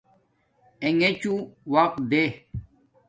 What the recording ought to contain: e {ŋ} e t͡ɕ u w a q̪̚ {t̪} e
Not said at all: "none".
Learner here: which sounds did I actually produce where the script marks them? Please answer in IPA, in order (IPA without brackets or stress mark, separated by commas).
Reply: ŋ, d̪